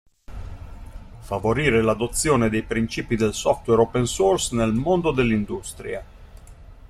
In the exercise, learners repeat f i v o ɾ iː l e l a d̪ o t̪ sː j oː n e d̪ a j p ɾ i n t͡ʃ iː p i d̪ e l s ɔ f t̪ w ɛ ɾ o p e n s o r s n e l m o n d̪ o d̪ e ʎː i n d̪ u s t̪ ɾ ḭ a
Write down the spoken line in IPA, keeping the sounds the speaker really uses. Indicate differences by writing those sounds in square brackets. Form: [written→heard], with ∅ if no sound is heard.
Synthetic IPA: f [i→a] v o ɾ iː [l→ɾ] e l a d̪ o t̪ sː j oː n e d̪ [a→e] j p ɾ i n t͡ʃ iː p i d̪ e l s ɔ f t̪ w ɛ ɾ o p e n s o r s n e l m o n d̪ o d̪ e [ʎː→lː] i n d̪ u s t̪ ɾ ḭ a